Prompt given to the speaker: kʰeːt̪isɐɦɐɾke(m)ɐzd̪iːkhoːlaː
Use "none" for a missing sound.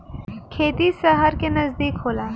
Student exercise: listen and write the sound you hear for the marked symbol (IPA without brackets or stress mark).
n